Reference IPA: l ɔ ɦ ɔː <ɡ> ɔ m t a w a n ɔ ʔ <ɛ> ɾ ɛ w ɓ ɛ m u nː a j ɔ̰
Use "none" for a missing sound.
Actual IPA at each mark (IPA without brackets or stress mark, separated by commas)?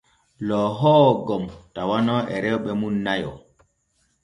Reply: ɡ, ɛ